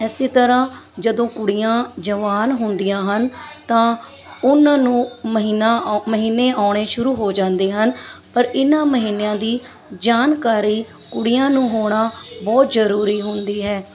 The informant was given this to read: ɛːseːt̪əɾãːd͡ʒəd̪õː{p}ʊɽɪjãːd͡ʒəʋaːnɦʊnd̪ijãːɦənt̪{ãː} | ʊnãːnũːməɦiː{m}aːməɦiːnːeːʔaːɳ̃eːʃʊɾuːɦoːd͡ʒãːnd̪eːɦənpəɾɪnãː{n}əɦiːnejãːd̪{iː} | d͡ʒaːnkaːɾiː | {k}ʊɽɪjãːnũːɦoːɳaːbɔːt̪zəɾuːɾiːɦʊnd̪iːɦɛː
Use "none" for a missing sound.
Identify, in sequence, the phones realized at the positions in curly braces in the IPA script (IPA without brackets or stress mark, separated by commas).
k, ãː, n, m, iː, k